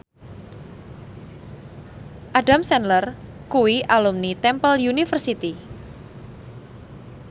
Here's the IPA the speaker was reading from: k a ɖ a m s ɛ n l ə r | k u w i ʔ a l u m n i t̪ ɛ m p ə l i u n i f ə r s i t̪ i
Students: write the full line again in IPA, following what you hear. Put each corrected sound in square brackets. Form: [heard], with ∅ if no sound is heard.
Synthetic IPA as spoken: [ʔ] a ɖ a m s ɛ n l ə r | k u w i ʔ a l u m n i t̪ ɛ m p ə l [j] u n i f ə r s i t̪ i